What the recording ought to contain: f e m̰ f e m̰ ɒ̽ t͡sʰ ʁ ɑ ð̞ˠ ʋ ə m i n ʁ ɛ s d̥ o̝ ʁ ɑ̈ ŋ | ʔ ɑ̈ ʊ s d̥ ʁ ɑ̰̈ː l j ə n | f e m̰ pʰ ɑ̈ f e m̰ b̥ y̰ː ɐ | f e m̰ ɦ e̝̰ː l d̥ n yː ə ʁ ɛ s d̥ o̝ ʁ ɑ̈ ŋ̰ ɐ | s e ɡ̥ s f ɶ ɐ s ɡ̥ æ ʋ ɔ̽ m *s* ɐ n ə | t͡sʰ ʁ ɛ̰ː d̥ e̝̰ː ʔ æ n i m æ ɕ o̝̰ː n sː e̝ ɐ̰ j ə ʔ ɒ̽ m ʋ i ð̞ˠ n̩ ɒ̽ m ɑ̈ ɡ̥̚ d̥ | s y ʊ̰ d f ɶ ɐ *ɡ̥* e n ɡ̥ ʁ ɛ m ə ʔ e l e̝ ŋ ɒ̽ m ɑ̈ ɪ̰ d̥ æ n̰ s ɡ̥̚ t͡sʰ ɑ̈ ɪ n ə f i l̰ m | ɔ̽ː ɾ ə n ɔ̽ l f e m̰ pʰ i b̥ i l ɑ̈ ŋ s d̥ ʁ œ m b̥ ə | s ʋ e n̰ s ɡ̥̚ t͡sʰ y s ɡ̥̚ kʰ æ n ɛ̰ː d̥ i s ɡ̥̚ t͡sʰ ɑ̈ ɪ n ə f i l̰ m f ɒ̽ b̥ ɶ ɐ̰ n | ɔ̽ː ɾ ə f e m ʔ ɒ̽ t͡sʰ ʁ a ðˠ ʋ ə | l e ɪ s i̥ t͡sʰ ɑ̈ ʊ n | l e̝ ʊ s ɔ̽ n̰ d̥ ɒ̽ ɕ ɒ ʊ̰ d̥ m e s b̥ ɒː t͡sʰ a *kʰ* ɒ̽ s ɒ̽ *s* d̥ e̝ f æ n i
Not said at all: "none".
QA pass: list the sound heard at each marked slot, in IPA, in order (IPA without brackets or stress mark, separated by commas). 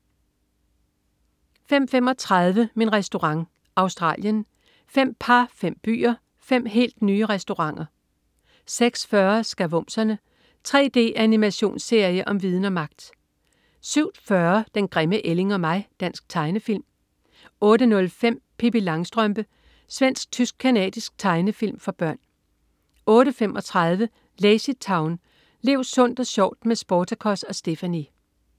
s, d̥, kʰ, s